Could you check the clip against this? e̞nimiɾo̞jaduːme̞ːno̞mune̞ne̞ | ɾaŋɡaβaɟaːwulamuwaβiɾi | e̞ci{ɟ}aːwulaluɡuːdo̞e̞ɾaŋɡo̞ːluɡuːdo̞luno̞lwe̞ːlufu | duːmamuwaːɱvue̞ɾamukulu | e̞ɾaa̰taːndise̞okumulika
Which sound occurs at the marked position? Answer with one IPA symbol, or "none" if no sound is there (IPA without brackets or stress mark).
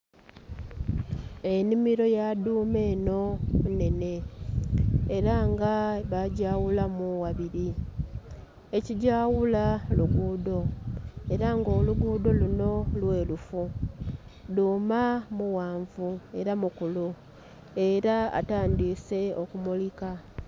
ɟ